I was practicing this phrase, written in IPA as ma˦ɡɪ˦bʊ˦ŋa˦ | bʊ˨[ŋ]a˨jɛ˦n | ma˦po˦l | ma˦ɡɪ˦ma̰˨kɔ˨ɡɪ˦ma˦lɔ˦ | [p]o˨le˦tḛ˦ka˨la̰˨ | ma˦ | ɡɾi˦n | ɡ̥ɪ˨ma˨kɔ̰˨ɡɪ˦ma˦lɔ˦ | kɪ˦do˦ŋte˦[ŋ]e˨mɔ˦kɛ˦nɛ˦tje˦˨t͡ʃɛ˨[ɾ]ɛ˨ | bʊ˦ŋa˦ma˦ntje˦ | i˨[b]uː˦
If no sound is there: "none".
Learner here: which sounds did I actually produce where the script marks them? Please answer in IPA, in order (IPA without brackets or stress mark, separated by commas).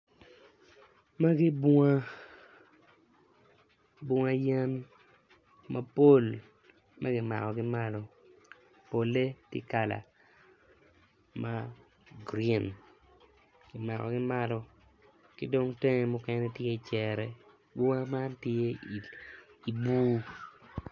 ŋ, p, ŋ, ɾ, b